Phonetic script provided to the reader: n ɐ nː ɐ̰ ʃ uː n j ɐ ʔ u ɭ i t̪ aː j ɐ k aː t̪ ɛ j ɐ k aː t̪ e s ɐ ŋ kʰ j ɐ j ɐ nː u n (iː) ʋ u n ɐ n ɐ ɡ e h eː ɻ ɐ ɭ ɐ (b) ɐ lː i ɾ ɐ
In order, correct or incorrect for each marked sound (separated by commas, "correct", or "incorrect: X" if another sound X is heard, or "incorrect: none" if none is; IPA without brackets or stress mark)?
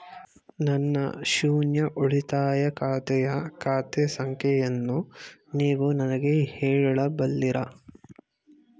correct, correct